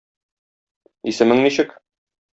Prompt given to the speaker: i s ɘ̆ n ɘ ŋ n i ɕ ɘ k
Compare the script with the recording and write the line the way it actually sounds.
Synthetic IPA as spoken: i s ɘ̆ m ɘ ŋ n i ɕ ɘ k